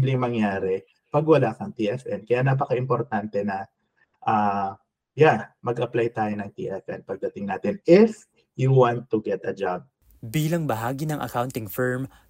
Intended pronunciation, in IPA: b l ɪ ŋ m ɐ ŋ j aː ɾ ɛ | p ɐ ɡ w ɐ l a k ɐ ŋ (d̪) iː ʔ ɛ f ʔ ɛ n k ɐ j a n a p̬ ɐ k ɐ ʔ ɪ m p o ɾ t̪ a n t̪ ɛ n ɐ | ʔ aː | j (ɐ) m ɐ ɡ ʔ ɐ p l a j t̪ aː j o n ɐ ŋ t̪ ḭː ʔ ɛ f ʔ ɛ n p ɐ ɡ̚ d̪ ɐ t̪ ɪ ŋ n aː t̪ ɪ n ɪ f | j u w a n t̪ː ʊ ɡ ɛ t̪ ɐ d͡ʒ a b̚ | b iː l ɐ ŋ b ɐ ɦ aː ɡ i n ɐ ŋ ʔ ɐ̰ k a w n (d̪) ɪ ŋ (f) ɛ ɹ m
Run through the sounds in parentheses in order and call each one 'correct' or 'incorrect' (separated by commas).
incorrect, incorrect, incorrect, correct